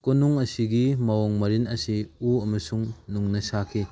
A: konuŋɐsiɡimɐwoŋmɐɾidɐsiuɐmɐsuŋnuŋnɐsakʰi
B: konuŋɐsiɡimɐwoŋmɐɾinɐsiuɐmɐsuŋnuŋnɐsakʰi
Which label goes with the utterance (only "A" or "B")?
B